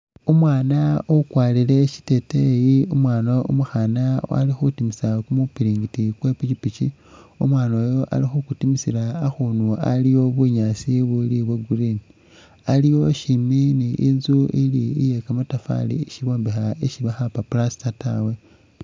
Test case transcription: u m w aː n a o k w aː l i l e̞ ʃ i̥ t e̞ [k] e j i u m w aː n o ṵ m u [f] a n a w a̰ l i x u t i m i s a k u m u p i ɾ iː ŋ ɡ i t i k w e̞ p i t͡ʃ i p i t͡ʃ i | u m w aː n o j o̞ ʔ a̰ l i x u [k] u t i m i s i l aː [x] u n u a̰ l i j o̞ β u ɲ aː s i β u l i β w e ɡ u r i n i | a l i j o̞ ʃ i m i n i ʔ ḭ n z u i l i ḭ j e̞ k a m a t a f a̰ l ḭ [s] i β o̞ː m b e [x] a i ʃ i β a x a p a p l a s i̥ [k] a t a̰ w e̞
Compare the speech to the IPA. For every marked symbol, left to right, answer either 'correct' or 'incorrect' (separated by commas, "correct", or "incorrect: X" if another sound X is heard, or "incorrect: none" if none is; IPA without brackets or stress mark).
incorrect: t, incorrect: x, correct, correct, incorrect: ʃ, correct, incorrect: t